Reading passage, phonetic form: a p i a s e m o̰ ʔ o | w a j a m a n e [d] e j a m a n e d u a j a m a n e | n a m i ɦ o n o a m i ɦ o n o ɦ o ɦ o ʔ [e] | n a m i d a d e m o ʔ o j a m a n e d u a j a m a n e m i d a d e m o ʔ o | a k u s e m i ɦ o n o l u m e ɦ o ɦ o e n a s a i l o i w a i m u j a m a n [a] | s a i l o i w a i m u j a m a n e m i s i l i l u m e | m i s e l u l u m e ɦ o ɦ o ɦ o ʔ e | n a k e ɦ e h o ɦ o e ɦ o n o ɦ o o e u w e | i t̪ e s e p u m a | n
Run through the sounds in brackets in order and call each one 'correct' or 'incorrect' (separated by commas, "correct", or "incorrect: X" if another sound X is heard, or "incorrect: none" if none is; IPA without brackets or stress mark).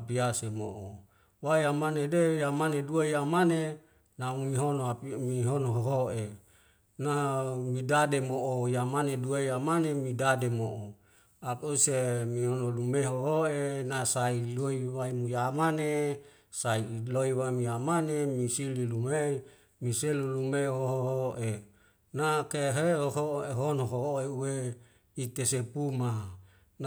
correct, correct, incorrect: e